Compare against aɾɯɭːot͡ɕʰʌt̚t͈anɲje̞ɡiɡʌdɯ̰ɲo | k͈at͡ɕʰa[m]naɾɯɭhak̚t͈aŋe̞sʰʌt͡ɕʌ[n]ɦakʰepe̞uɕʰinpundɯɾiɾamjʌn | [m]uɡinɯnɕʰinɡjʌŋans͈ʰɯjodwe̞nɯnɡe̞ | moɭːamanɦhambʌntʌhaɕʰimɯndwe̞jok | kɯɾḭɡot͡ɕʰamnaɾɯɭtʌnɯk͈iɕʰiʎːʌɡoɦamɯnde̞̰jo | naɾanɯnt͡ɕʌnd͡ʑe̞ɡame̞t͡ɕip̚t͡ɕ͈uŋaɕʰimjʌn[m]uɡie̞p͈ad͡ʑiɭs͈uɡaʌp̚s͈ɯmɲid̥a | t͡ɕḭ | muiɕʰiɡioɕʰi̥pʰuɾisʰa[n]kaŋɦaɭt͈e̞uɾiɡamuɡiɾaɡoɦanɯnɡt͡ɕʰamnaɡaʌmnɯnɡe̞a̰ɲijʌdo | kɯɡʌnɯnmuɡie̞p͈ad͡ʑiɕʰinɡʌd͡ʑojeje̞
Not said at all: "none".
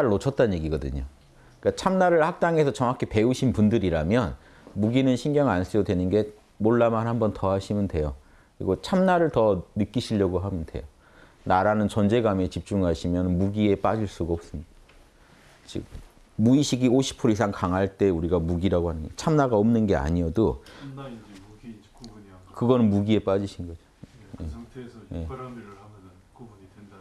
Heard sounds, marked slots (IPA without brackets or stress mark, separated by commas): m, ŋ, m, m, ŋ